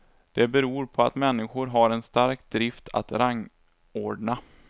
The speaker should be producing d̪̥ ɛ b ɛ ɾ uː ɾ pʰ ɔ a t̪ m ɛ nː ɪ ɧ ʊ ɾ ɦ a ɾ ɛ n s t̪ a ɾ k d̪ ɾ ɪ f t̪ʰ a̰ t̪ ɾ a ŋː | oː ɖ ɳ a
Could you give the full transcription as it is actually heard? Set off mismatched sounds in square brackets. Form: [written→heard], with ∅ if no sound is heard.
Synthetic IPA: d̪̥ ɛ b ɛ ɾ uː ɾ pʰ ɔ a t̪ m ɛ nː ɪ ɧ ʊ ɾ ɦ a ɾ ɛ n s t̪ a ɾ k d̪ ɾ ɪ f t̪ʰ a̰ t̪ ɾ a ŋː | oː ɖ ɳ a